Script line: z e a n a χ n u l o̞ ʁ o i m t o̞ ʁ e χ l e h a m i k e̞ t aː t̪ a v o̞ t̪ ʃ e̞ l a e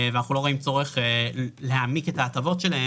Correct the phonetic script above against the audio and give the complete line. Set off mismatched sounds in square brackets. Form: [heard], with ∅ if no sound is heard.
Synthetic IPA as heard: [v] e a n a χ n u l o̞ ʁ o i m [t͡s] o̞ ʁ e χ l e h a m i k e̞ t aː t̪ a v o̞ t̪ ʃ e̞ l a e